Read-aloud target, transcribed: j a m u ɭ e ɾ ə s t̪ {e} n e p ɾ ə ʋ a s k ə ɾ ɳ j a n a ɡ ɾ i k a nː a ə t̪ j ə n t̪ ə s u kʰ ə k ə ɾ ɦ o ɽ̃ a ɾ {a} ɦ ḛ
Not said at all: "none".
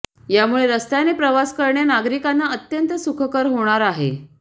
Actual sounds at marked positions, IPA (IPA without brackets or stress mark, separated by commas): a, a